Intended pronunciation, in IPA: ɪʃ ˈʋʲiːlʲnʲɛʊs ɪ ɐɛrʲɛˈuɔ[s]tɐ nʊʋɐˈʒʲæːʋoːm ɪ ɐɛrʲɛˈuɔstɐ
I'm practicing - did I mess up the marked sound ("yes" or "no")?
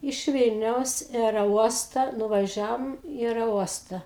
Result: no